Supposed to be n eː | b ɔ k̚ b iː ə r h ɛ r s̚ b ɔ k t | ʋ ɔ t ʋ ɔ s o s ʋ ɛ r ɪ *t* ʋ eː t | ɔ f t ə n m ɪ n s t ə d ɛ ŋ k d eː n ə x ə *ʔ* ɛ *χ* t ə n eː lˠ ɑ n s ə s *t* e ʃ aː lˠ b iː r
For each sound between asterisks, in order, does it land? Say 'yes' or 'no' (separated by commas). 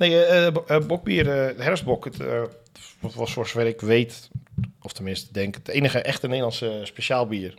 no, yes, no, no